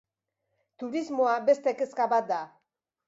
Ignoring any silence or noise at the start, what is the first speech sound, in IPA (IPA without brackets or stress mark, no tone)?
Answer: t̪